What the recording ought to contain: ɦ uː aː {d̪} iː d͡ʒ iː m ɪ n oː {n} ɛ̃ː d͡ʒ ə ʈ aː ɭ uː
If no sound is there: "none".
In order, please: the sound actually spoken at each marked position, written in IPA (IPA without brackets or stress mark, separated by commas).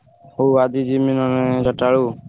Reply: d̪, n